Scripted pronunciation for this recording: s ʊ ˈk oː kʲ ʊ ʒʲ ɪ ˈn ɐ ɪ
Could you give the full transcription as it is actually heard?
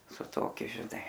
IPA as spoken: s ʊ ˈt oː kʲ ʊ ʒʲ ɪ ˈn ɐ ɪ